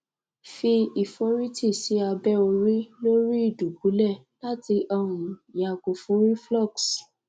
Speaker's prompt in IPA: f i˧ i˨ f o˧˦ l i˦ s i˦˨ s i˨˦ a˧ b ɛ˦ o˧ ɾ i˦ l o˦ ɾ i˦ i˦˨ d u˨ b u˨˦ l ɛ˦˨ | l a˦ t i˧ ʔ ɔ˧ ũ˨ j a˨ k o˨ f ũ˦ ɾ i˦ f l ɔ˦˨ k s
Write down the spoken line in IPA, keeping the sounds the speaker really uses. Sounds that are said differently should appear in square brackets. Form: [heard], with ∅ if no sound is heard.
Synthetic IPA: f i˧ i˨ f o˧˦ [ɾ] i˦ [t] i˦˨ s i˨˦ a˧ b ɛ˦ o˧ ɾ i˦ l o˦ ɾ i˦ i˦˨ d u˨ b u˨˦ l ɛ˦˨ | l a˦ t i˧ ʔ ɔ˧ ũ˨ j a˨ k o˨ f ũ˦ ɾ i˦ f l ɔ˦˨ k s